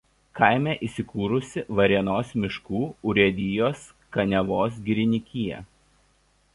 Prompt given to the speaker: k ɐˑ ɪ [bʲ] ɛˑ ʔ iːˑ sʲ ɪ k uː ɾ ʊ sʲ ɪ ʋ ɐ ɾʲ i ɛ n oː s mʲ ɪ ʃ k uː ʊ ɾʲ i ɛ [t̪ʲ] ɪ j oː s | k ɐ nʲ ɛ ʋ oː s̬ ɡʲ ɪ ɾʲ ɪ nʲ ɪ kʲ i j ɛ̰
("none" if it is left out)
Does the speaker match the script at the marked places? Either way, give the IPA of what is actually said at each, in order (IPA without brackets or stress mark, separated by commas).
mʲ, d̪ʲ